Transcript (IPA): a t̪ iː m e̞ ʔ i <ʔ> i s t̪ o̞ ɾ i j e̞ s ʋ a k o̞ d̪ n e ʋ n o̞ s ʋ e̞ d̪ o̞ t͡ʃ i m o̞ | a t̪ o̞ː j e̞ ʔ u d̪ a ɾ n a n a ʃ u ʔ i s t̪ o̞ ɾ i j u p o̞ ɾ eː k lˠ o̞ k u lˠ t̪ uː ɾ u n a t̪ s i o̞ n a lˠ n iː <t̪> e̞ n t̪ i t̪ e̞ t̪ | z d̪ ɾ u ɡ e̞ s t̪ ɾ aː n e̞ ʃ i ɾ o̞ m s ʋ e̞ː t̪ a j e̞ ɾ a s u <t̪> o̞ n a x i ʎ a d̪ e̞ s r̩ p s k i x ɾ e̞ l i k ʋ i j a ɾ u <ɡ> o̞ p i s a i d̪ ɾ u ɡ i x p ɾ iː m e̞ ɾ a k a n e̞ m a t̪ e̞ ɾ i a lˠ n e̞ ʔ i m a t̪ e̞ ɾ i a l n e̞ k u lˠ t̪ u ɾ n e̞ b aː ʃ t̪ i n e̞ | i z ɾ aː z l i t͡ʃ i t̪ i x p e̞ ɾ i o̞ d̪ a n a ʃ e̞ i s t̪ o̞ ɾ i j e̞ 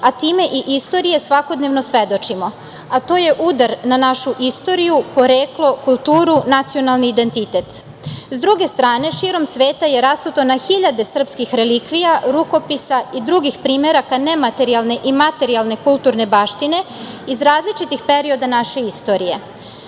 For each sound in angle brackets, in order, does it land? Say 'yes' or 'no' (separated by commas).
yes, no, yes, no